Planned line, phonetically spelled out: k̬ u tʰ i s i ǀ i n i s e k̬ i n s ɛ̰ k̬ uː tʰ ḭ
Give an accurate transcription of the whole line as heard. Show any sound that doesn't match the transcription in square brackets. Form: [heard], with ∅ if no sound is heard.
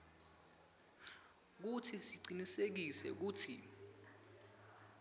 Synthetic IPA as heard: k̬ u tʰ i s i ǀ i n i s e k̬ i [∅] s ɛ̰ k̬ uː tʰ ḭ